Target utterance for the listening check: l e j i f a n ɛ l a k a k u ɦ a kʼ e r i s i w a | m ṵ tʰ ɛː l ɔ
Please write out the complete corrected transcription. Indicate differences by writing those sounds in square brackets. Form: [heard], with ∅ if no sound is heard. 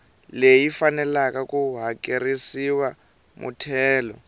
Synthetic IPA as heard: l e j i f a n ɛ l a k a k u ɦ a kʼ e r i s i w a | m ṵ tʰ ɛː l ɔ

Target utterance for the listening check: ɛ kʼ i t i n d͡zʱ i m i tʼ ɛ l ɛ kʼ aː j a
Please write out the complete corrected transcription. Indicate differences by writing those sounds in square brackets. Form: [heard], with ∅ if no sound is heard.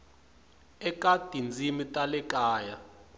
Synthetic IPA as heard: ɛ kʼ [a] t i n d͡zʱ i m i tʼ [a] l ɛ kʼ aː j a

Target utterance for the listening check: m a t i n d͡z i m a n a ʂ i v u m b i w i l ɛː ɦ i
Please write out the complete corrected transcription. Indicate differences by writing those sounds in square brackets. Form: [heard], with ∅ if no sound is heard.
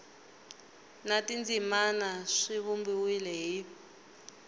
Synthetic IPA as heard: [n] a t i n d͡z i m a n a ʂ i [β] u m b i w i l [ɛ] ɦ i

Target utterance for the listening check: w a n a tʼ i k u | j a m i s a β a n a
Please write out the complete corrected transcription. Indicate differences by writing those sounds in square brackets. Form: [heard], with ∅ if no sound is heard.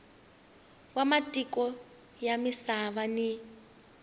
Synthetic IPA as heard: w a [m] a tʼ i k [ɔ] | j a m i s a β a n [i]

